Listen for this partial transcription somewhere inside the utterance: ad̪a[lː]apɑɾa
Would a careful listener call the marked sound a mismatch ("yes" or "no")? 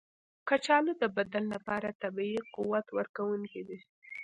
no